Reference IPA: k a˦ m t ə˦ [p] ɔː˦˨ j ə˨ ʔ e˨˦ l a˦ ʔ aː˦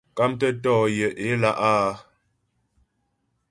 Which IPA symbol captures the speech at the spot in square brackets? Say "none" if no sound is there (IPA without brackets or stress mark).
t